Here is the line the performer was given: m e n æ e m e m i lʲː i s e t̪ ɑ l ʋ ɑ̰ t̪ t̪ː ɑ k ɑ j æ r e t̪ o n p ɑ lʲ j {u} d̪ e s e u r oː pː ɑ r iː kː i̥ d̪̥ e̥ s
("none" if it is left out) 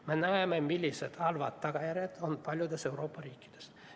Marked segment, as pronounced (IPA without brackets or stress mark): o